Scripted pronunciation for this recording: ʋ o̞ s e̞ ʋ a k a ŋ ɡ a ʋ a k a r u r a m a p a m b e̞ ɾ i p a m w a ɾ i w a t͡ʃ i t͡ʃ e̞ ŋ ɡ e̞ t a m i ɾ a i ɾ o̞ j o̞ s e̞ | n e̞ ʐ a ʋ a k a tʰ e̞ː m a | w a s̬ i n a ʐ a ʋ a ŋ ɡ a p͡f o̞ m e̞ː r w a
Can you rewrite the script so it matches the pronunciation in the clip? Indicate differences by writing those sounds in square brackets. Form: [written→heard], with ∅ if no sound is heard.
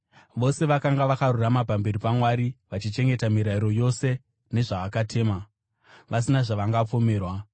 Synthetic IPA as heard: ʋ o̞ s e̞ ʋ a k a ŋ ɡ a ʋ a k a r u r a m a p a m b e̞ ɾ i p a m w a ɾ i [w→ʋ] a t͡ʃ i t͡ʃ e̞ ŋ ɡ e̞ t a m i ɾ a i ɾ o̞ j o̞ s e̞ | n e̞ ʐ a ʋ a k a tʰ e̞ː m a | [w→ʋ] a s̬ i n a ʐ a ʋ a ŋ ɡ a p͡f o̞ m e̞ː r w a